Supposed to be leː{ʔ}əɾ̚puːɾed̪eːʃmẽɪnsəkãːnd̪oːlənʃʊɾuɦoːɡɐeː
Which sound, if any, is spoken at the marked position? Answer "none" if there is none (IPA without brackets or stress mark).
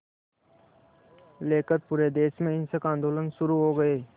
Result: k